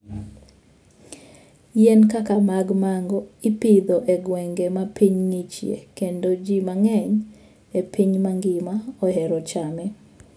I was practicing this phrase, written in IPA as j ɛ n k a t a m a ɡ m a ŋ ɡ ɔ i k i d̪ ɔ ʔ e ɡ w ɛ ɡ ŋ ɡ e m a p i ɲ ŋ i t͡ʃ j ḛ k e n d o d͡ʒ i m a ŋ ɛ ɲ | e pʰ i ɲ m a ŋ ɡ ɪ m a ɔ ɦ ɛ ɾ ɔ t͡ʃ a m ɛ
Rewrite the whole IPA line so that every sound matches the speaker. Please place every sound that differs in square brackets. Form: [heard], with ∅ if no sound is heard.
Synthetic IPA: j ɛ n k a [k] a m a ɡ m a ŋ ɡ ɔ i [p] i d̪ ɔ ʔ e ɡ w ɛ [∅] ŋ ɡ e m a p i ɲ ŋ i t͡ʃ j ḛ k e n d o d͡ʒ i m a ŋ ɛ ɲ | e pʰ i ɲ m a ŋ ɡ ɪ m a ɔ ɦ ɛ ɾ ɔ t͡ʃ a m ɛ